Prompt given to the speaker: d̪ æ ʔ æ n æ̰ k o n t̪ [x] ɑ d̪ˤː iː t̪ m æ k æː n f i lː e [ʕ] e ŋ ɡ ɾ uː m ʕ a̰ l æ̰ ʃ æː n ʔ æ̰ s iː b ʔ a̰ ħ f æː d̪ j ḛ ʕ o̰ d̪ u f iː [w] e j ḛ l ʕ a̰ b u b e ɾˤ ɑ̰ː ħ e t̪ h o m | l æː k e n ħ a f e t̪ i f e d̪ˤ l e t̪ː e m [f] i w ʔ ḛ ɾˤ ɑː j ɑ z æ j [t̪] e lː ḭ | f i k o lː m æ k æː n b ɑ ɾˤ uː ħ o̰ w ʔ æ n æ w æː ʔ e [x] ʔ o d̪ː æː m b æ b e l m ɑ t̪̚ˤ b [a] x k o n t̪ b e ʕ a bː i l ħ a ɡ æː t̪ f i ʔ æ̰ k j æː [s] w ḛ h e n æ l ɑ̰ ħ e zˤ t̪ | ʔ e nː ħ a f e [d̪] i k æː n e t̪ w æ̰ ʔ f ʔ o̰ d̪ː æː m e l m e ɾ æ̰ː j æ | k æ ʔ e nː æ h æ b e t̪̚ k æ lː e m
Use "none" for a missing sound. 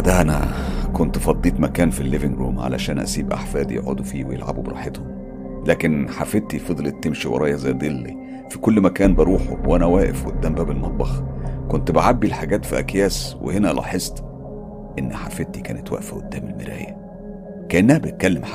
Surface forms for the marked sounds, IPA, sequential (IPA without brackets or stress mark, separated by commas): f, v, w, ʃ, d̪, f, ɑ, s, t̪